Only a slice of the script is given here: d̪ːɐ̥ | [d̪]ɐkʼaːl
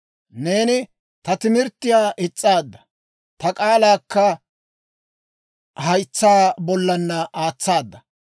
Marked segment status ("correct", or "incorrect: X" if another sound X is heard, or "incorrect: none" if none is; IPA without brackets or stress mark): incorrect: t̪